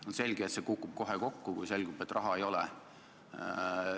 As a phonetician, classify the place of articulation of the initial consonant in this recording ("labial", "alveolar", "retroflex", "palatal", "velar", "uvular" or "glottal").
alveolar